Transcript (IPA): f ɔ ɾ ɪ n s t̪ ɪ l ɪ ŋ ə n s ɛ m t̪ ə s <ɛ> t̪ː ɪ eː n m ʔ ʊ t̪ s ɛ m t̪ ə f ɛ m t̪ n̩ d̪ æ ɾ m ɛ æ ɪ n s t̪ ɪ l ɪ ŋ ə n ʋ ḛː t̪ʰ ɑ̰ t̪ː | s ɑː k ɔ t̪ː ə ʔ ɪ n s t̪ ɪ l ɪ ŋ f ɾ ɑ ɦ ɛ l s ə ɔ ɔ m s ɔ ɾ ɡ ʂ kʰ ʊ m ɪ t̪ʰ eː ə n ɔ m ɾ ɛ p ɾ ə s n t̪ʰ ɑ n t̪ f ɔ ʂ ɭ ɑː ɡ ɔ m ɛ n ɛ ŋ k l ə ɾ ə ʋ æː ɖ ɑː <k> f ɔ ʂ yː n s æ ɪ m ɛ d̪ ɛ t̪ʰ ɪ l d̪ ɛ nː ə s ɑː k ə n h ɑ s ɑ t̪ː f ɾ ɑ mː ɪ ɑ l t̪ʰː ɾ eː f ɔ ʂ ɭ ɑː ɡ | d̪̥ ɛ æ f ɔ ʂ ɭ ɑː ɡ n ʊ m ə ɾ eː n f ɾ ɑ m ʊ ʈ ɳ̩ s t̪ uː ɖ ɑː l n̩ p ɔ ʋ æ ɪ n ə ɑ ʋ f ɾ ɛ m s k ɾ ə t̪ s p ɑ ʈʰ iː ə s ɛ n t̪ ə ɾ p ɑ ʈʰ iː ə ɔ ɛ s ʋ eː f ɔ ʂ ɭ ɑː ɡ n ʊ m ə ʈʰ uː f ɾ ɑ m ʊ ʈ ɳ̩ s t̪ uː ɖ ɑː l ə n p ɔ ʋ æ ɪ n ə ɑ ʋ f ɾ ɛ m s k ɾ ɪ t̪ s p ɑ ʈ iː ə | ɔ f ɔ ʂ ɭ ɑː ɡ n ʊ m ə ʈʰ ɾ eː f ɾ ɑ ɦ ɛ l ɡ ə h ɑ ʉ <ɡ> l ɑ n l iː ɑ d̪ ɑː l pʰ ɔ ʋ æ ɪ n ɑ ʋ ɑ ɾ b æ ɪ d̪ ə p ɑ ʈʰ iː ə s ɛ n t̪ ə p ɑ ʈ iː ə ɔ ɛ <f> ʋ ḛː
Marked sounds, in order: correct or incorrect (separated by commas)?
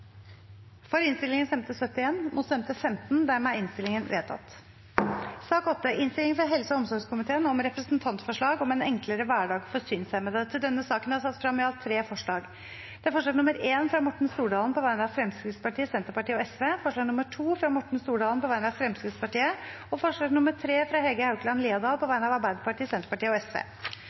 incorrect, incorrect, incorrect, incorrect